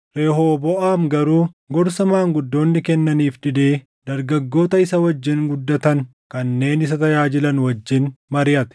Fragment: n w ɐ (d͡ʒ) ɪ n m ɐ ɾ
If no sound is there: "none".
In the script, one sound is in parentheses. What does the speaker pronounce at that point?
d͡ʒː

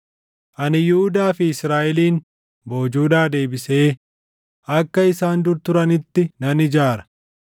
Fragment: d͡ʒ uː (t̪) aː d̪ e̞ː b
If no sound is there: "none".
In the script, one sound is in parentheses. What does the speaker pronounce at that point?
d̪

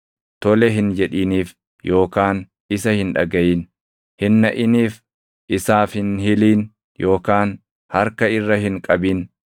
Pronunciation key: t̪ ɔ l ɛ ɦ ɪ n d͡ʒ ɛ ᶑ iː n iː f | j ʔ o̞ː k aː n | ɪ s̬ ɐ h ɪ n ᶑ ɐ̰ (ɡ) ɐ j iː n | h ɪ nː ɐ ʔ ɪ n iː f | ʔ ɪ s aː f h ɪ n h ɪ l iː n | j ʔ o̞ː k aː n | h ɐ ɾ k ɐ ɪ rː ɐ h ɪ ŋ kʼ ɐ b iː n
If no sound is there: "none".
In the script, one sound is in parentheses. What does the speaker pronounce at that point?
ɡ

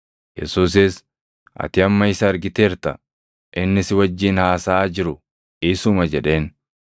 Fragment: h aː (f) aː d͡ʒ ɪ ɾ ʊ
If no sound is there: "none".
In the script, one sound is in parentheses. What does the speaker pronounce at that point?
s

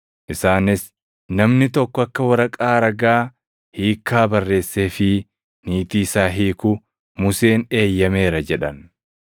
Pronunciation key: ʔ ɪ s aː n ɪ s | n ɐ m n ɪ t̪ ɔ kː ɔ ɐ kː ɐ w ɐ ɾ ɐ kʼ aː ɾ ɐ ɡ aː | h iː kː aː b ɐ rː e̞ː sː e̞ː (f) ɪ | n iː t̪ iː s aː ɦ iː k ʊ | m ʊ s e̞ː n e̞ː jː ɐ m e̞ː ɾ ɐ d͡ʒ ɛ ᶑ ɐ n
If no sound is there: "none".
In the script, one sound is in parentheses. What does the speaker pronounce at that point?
f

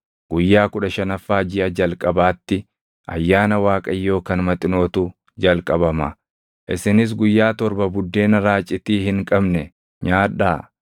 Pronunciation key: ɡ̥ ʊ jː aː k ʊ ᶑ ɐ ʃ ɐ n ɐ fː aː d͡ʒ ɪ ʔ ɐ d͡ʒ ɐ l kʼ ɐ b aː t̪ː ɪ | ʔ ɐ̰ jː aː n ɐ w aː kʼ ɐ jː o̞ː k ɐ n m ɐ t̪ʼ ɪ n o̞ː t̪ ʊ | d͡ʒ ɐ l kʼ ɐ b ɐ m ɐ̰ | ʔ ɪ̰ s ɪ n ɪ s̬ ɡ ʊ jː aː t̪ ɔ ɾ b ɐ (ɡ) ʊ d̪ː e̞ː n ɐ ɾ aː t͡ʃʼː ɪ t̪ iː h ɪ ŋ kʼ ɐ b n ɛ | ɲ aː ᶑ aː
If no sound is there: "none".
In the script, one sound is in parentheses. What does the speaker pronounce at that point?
b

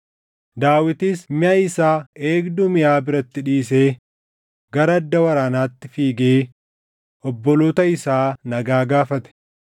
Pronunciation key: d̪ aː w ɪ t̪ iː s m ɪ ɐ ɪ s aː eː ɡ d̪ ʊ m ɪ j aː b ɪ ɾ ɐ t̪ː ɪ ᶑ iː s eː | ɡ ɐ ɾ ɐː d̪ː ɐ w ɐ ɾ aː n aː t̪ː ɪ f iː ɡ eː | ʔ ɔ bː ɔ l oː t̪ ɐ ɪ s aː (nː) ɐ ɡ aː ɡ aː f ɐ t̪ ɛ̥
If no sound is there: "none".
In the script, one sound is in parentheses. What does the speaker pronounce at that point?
n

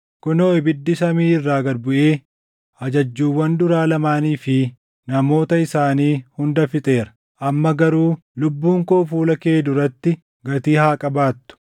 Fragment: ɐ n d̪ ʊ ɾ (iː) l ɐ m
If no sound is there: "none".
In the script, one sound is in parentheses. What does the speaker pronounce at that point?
aː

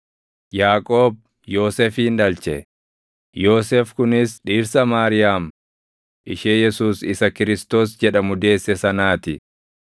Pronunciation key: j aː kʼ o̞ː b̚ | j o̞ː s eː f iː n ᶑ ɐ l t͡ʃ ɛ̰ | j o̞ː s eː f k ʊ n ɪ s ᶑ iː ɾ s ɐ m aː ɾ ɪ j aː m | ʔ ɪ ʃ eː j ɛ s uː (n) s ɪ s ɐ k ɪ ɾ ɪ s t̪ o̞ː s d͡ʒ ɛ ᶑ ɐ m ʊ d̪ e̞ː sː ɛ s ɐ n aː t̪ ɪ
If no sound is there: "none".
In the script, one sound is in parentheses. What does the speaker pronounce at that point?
none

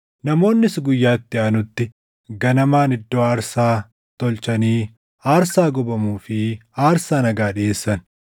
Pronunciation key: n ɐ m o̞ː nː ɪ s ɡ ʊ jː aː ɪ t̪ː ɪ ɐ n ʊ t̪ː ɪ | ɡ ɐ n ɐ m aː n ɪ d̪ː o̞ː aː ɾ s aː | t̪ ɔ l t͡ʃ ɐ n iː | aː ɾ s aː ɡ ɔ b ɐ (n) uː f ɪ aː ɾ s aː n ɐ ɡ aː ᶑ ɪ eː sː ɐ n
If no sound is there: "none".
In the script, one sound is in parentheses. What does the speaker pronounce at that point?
m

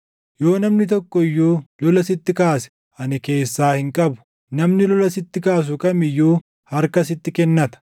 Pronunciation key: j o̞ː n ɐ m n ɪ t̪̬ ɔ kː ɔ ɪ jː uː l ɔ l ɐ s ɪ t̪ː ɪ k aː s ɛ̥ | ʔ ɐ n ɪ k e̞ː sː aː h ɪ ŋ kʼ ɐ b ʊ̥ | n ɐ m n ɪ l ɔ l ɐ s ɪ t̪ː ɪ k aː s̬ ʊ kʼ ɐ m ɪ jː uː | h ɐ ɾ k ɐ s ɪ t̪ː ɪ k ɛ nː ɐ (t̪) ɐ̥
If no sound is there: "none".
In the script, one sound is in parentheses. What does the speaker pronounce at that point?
t̪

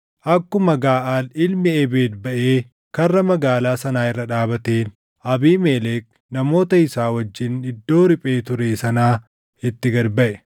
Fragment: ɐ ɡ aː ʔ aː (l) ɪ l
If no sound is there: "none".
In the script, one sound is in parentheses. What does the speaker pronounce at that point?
l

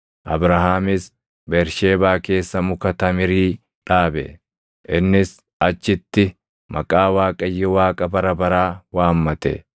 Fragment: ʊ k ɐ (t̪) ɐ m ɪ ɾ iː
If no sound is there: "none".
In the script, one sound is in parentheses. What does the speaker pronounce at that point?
t̪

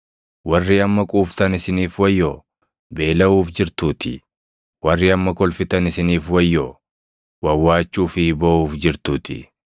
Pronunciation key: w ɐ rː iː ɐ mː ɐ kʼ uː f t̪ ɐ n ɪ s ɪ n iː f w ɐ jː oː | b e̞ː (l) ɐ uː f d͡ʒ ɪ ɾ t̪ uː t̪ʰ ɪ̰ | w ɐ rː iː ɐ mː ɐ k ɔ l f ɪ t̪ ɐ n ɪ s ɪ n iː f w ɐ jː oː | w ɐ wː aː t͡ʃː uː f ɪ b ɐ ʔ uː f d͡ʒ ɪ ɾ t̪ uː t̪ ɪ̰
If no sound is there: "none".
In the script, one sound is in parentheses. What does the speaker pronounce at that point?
l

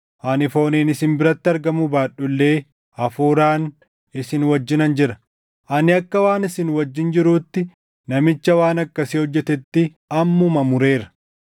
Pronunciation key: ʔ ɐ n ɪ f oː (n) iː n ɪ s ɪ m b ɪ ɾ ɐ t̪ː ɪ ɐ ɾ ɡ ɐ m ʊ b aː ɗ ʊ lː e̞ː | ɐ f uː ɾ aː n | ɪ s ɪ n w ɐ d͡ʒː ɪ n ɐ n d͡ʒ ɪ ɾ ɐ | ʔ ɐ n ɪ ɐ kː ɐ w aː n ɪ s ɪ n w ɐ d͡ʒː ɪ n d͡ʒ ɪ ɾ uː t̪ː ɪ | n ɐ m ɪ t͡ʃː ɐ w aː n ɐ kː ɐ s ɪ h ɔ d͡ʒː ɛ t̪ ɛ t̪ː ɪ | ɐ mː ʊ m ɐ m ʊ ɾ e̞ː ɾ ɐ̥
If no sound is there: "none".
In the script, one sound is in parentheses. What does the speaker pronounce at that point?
n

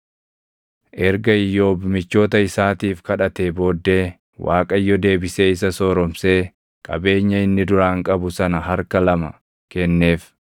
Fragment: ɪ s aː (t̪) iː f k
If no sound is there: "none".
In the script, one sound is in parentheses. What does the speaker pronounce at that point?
t̪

